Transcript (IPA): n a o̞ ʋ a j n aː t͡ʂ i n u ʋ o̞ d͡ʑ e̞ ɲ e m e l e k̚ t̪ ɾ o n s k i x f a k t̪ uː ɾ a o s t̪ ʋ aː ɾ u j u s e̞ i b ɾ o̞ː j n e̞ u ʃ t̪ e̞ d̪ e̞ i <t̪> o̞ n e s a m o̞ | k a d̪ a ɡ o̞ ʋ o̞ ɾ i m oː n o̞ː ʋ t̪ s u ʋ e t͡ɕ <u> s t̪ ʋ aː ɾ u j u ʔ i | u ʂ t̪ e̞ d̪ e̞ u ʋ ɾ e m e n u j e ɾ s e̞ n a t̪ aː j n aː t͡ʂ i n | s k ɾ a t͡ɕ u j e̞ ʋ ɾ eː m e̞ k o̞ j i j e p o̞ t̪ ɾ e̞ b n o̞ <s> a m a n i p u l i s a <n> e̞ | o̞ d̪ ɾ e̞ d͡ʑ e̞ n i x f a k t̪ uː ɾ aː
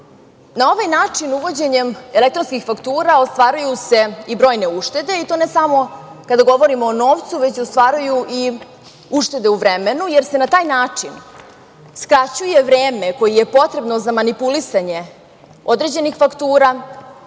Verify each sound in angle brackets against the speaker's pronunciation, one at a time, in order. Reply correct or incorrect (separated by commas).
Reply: correct, incorrect, incorrect, incorrect